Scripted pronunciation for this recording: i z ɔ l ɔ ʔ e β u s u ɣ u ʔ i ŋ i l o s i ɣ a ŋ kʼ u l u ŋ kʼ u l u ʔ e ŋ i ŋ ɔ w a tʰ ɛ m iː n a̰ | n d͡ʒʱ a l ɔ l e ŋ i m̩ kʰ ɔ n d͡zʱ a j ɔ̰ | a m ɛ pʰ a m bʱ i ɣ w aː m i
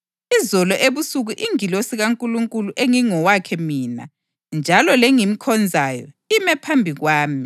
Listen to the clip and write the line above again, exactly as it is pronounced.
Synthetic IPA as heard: i z ɔ l ɔ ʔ e β u s u ɣ u ʔ i ŋ i l o s i ɣ a ŋ kʼ u l u ŋ kʼ u l u ʔ e ŋ i ŋ ɔ w a kʰ ɛ m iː n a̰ | n d͡ʒʱ a l ɔ l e ŋ i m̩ kʰ ɔ n d͡zʱ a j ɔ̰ | i m ɛ pʰ a m bʱ i ɣ w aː m i